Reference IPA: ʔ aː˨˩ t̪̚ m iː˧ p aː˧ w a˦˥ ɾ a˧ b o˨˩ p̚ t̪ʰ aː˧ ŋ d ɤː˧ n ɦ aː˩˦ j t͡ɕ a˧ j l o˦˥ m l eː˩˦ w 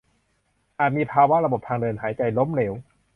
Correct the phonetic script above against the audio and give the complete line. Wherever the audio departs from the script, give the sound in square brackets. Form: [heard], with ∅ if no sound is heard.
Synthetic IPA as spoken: ʔ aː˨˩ t̪̚ m iː˧ [pʰ] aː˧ w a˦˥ ɾ a˧ b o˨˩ p̚ t̪ʰ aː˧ ŋ d ɤː˧ n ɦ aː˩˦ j t͡ɕ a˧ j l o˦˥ m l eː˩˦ w

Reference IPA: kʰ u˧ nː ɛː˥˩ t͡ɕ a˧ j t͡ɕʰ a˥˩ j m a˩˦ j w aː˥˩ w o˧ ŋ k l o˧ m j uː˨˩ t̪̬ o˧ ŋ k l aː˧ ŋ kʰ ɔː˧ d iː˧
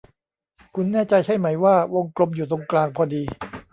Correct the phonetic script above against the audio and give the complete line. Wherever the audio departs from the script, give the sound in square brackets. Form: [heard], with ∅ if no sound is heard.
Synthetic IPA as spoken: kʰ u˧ nː ɛː˥˩ t͡ɕ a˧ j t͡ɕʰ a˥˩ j m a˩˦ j w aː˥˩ w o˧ ŋ k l o˧ m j uː˨˩ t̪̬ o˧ ŋ k l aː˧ ŋ [pʰ] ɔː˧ d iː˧

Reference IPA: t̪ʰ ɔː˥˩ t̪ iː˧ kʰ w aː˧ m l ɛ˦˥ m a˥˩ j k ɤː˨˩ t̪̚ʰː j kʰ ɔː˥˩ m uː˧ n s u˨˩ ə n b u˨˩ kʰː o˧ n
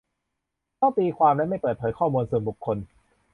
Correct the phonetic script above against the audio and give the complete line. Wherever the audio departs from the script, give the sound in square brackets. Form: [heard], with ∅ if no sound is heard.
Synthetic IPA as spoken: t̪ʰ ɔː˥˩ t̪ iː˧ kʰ w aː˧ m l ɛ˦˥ m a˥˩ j [p] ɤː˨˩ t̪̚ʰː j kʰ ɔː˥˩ m uː˧ n s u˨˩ ə n b u˨˩ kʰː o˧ n

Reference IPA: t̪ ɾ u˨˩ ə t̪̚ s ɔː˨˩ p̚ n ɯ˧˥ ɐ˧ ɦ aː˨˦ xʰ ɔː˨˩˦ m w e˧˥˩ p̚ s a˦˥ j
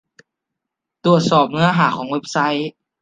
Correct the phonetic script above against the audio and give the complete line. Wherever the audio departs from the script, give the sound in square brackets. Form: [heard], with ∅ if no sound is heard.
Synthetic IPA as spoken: t̪ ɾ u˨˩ ə t̪̚ s ɔː˨˩ p̚ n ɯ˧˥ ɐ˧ ɦ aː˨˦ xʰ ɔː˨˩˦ [ŋ] w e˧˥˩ p̚ s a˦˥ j

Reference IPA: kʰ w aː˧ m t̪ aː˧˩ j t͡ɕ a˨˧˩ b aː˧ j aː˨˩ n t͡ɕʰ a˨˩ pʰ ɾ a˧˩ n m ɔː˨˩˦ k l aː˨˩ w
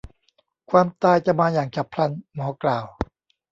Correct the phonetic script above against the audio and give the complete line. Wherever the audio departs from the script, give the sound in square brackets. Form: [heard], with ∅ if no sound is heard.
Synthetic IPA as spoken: kʰ w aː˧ m t̪ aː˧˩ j t͡ɕ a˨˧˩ [m] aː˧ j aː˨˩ [ŋ] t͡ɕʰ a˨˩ pʰ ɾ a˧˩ n m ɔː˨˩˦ k l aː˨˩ w

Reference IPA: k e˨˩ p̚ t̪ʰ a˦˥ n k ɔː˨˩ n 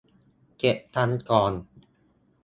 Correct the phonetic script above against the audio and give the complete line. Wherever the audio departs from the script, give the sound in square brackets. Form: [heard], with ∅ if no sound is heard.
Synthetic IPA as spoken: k e˨˩ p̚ t̪ʰ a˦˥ n k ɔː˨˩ n

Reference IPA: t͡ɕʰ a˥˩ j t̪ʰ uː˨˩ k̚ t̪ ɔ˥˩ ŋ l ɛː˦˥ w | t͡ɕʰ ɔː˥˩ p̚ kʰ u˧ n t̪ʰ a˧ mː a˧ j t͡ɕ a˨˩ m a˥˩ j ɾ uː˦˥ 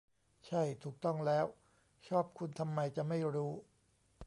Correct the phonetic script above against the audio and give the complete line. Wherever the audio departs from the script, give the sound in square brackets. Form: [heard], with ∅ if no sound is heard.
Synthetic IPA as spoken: t͡ɕʰ a˥˩ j t̪ʰ uː˨˩ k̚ t̪ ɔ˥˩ ŋ l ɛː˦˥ w | t͡ɕʰ ɔː˥˩ p̚ kʰ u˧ n t̪ʰ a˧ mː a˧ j t͡ɕ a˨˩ m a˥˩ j ɾ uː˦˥

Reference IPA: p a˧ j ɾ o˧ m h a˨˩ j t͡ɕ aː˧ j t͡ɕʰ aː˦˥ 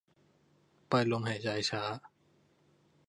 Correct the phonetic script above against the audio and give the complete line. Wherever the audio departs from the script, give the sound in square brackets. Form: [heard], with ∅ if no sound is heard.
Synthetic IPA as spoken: p a˧ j [l] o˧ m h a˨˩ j t͡ɕ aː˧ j t͡ɕʰ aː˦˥

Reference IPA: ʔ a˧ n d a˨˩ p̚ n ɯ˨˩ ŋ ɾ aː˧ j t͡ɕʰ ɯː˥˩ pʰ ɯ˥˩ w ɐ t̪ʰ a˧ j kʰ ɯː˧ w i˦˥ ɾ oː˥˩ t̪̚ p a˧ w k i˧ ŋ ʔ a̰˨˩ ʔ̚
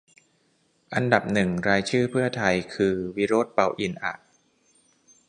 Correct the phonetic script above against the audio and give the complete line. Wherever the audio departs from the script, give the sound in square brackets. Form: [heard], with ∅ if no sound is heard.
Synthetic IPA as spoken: ʔ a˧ n d a˨˩ p̚ n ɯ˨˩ ŋ ɾ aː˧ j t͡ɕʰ ɯː˥˩ pʰ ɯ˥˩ [∅] ɐ t̪ʰ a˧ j kʰ ɯː˧ w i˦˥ ɾ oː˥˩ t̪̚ p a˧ w [ʔ] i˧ [n] ʔ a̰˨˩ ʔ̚

